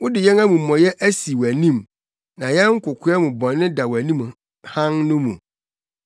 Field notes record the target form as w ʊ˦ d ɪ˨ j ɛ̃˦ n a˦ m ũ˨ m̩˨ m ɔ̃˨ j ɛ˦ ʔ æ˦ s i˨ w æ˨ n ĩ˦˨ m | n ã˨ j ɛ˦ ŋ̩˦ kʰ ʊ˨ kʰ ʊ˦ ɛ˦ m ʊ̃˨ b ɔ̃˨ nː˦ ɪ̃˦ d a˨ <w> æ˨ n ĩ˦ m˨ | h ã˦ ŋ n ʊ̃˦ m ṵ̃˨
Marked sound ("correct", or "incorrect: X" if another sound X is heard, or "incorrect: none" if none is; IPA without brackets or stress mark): correct